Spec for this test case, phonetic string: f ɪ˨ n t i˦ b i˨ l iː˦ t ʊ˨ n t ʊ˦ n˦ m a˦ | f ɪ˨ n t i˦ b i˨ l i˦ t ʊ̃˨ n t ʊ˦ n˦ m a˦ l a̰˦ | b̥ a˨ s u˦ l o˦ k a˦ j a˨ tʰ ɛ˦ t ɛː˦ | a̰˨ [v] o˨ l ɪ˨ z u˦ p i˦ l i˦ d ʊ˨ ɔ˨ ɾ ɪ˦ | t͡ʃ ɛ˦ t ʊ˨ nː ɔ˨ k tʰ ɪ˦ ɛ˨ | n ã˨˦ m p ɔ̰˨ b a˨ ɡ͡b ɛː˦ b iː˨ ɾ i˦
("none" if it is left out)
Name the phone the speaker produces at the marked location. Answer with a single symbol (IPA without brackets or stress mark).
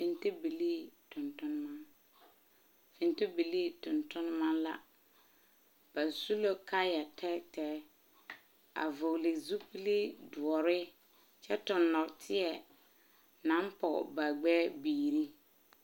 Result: v